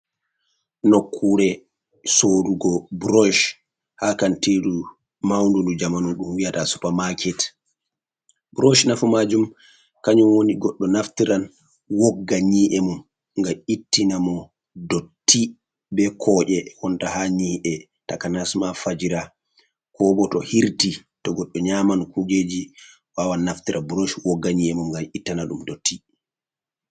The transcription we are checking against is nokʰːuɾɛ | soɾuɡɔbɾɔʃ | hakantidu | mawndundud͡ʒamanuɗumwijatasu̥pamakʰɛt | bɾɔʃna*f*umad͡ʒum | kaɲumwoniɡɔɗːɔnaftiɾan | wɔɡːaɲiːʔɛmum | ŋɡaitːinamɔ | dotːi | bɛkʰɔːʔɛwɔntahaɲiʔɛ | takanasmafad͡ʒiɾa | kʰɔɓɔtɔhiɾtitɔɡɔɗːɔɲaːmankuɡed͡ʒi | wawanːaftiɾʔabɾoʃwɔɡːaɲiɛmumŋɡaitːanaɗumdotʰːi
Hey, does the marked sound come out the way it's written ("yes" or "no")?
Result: yes